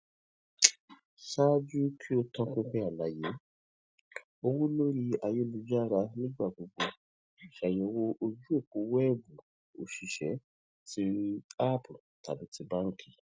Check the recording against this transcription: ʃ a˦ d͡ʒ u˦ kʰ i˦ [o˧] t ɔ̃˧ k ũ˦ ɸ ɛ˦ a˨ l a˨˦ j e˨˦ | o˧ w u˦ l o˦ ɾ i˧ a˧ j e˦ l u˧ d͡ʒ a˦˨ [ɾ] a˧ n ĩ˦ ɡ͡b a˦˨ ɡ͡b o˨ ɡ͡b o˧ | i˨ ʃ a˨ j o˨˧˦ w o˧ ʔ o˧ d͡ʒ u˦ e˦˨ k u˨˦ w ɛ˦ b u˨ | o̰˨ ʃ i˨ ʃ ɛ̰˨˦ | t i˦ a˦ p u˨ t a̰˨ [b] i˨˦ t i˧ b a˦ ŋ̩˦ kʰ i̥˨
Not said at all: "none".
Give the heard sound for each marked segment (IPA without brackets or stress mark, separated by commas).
o˧, ɾ, b